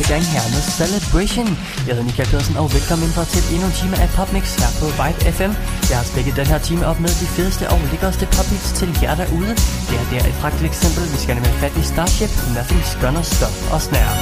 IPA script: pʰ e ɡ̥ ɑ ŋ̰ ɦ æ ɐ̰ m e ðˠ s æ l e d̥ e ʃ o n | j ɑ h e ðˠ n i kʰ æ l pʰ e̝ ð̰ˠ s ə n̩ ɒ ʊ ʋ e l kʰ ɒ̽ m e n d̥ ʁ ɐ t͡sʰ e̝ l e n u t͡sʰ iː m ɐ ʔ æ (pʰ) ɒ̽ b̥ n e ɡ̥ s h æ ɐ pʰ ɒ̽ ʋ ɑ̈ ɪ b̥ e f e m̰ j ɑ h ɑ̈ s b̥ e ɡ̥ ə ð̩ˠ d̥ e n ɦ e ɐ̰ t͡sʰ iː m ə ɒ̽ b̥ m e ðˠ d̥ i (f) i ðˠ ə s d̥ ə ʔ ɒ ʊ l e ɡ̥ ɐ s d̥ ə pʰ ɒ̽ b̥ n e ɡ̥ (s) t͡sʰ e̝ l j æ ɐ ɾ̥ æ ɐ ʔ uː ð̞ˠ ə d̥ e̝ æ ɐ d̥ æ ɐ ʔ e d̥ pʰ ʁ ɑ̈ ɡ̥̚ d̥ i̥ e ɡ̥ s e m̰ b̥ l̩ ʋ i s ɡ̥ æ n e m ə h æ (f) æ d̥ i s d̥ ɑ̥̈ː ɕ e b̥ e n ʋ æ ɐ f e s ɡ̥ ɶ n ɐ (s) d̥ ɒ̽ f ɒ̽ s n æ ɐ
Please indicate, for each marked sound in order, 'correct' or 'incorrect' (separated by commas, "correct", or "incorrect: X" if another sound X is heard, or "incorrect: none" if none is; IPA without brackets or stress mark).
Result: correct, correct, correct, correct, correct